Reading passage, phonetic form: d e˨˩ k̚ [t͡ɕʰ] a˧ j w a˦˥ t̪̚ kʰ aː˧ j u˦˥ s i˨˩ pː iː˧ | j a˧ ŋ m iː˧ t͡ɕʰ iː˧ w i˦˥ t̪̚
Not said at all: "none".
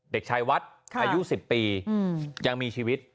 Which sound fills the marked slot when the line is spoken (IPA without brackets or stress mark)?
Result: t͡ɕʰ